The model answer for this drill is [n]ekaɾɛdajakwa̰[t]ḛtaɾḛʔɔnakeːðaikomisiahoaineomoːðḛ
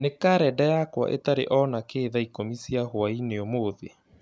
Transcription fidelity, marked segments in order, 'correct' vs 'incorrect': correct, incorrect: ʔ

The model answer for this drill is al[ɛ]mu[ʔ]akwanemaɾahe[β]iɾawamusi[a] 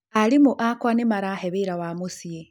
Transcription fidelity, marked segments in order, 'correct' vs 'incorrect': incorrect: i, correct, correct, incorrect: e

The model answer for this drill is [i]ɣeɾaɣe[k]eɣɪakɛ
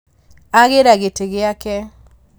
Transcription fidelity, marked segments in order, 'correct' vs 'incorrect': incorrect: a, incorrect: t

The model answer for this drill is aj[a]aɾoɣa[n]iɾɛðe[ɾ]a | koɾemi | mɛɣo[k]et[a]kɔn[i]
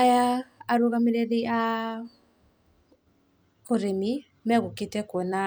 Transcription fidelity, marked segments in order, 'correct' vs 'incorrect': correct, incorrect: m, incorrect: none, correct, incorrect: ɛ, incorrect: a

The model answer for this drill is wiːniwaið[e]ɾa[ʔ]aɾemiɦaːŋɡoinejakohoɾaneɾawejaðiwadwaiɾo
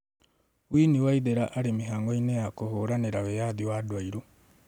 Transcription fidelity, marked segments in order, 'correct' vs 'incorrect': correct, correct

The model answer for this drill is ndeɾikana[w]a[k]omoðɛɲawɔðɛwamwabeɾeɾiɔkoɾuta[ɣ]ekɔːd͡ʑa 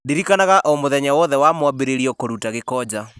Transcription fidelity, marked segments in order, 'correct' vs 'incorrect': incorrect: ɣ, incorrect: ʔ, correct

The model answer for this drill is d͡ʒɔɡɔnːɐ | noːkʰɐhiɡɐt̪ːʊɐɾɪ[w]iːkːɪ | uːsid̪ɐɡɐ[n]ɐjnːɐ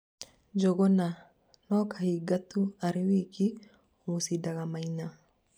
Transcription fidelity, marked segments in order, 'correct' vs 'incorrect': correct, incorrect: m

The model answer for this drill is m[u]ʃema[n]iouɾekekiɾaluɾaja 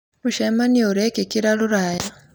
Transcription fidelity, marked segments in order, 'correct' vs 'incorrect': correct, correct

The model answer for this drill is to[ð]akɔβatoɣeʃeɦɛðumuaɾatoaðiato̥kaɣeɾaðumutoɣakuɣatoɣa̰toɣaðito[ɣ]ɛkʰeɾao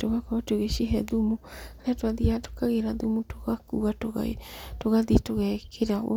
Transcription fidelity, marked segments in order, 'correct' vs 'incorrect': incorrect: ɣ, correct

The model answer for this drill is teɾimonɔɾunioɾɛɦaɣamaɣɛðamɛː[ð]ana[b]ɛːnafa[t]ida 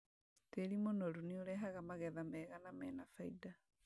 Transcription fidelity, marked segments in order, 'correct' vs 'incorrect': incorrect: ɣ, incorrect: m, incorrect: none

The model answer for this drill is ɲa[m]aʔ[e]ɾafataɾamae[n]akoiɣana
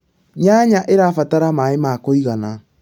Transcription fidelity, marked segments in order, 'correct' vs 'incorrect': incorrect: ɲ, correct, incorrect: m

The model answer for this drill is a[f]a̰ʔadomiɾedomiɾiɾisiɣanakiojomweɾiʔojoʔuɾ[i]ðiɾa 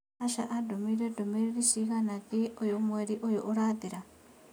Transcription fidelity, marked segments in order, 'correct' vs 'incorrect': incorrect: ʃ, incorrect: a

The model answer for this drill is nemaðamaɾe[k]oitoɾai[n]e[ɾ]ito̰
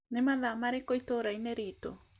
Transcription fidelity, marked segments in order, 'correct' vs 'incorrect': correct, correct, correct

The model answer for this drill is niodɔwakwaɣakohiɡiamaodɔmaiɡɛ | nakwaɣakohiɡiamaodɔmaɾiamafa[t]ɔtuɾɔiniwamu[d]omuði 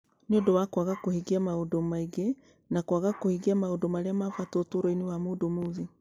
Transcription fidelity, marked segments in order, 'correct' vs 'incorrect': correct, correct

